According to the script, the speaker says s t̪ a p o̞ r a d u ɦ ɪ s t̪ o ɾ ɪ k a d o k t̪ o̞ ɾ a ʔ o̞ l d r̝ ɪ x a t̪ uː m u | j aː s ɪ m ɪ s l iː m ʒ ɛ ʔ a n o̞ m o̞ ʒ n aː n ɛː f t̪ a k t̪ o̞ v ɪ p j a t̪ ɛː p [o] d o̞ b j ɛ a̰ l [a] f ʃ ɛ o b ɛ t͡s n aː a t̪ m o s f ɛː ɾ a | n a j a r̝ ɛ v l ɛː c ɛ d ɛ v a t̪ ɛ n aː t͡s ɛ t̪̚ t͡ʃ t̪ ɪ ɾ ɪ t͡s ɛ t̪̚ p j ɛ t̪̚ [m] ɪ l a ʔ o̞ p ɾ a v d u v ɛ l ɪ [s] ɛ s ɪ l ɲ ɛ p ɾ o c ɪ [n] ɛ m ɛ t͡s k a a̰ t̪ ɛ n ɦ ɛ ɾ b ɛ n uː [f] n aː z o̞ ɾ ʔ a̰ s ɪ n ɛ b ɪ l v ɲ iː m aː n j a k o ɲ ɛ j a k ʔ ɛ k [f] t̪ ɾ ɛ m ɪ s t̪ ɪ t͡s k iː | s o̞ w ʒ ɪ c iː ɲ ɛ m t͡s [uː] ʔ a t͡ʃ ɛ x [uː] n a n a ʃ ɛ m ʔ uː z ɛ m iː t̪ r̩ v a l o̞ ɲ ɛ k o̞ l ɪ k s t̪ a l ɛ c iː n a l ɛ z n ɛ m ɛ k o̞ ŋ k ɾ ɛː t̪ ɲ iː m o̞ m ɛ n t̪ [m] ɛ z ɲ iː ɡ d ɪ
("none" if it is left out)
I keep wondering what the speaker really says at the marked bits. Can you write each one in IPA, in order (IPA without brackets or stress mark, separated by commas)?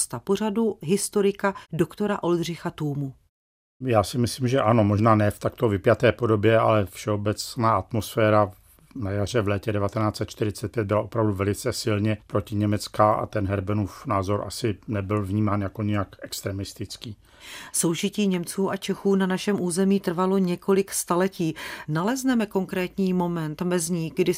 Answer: o, ɛ, b, t͡s, ɲ, f, s, uː, uː, m